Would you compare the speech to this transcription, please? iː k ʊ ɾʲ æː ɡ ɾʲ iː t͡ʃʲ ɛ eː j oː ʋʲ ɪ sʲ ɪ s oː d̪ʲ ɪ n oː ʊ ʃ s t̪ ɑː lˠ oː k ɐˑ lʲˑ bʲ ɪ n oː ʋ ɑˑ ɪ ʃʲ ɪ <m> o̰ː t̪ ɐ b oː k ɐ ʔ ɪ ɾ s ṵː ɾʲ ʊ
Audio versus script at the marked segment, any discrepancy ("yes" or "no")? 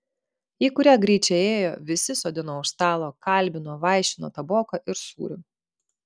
yes